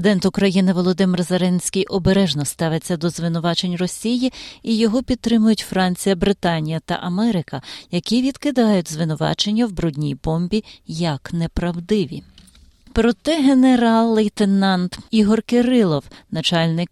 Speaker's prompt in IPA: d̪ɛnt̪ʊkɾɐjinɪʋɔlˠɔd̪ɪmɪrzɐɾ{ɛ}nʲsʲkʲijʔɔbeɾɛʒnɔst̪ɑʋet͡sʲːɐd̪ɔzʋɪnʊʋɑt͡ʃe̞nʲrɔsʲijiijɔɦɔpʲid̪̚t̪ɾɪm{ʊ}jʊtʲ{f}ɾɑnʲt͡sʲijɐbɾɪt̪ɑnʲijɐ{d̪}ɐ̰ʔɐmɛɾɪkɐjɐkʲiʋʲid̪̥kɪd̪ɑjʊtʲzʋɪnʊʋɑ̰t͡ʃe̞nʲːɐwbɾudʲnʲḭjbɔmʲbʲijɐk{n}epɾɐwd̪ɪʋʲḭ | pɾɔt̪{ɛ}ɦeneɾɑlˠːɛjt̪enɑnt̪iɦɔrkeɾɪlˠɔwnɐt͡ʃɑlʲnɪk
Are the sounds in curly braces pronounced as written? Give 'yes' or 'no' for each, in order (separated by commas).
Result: yes, yes, yes, no, yes, yes